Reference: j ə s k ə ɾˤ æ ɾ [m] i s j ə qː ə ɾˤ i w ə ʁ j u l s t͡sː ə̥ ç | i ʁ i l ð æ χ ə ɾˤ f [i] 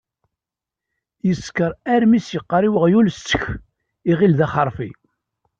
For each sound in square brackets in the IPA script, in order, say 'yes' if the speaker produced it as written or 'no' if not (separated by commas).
yes, yes